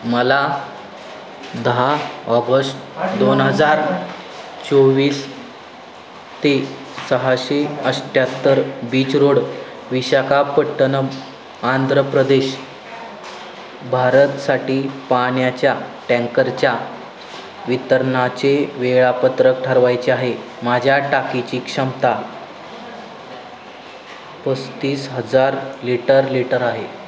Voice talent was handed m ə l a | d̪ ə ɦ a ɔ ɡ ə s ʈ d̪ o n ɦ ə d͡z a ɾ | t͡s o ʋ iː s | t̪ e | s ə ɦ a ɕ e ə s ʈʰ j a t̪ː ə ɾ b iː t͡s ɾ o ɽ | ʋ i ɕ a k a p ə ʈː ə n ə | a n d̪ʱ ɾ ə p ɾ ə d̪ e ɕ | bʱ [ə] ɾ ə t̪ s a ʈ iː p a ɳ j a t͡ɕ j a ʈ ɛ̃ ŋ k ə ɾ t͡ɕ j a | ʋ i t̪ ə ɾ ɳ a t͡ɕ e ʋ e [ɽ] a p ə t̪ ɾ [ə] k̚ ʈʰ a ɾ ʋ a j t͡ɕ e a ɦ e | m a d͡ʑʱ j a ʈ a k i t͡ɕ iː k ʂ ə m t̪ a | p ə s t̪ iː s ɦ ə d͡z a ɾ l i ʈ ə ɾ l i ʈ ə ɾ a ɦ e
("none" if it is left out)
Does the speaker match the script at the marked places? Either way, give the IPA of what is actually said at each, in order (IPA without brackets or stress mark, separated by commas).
a, ɭ, ə